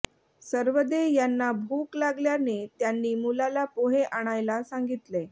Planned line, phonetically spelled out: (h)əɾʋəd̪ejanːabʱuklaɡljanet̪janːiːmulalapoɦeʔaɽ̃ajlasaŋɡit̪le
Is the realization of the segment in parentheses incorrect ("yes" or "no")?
yes